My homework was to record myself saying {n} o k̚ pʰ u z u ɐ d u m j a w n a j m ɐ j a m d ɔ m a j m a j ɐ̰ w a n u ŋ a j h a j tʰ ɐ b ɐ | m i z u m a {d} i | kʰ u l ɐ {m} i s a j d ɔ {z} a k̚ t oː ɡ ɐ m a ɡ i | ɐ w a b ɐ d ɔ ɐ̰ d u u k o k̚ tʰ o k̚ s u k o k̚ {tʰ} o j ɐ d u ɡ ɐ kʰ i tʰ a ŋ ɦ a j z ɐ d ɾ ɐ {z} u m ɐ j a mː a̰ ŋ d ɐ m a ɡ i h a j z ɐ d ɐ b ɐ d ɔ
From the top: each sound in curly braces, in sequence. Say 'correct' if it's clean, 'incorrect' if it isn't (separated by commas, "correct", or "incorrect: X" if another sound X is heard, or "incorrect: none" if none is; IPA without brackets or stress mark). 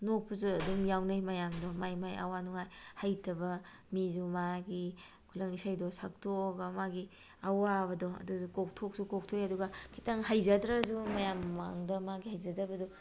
correct, incorrect: ɡ, incorrect: ŋ, incorrect: s, correct, correct